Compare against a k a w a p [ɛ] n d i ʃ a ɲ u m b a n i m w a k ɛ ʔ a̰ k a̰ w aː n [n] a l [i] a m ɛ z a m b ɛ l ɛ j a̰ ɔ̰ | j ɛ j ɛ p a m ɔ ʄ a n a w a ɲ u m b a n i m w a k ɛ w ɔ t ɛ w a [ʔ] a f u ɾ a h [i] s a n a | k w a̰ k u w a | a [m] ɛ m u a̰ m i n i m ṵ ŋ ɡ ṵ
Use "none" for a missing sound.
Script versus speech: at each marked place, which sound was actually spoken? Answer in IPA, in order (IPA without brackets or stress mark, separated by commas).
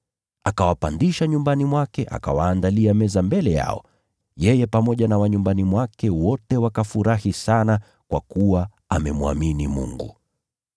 a, d, i, k, i, m